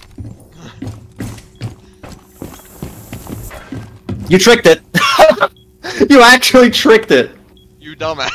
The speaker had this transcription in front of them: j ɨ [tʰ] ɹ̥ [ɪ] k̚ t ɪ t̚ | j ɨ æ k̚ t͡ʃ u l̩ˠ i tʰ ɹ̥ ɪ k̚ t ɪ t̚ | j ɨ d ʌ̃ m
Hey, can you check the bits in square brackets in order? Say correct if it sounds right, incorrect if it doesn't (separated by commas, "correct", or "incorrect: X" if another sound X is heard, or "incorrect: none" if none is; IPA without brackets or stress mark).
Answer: correct, correct